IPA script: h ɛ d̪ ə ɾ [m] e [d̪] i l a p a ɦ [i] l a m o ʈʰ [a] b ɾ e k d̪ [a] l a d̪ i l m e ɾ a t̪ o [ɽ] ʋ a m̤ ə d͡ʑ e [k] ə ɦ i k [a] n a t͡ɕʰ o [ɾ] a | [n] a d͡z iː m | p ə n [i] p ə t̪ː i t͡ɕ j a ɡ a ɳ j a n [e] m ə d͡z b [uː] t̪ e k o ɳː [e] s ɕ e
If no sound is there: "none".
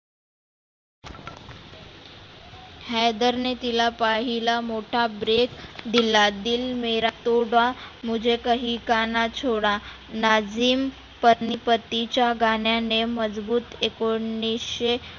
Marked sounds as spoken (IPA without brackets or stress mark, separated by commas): n, t̪, i, a, i, ɽ, k, a, ɽ, n, i, e, uː, i